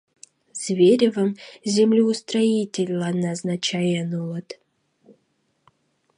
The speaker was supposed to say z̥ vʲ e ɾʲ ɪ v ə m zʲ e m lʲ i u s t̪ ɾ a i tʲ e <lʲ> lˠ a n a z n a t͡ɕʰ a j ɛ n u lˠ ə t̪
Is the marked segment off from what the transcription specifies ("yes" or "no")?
no